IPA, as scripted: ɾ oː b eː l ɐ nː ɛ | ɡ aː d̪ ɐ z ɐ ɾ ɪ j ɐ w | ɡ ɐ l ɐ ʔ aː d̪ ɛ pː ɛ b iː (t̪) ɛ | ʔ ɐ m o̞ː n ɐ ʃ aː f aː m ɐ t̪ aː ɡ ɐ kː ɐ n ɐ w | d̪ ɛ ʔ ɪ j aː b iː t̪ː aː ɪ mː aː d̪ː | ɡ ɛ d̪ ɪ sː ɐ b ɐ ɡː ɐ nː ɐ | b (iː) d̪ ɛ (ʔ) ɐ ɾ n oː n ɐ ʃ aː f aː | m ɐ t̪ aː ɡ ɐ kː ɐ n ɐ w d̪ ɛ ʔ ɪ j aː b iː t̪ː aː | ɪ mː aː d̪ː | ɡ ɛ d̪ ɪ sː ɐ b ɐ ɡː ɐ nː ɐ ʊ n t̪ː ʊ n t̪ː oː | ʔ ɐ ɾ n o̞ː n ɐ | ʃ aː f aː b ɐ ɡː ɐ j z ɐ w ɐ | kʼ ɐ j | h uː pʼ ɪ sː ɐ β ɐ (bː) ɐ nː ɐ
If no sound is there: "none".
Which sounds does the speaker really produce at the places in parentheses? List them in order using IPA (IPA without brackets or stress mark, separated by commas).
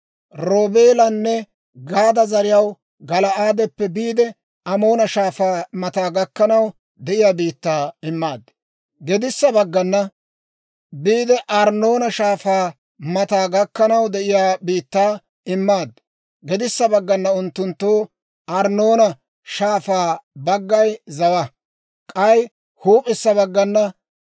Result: d̪, iː, ʔ, ɡː